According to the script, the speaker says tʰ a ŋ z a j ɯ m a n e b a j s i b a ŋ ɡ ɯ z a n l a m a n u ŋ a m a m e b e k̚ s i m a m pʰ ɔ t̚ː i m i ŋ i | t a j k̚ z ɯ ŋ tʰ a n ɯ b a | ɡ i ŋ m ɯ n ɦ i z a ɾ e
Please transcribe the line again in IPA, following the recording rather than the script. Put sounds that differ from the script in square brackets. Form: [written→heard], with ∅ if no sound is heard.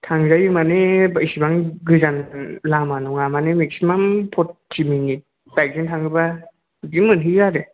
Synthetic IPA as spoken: tʰ a ŋ z a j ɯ m a n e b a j s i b a ŋ ɡ ɯ z a n l a m a n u ŋ a m a [m→n] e [b→m] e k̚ s i m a m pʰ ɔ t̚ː i m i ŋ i | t a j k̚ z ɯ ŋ tʰ a [n→ŋ] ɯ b a | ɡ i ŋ m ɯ n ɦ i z a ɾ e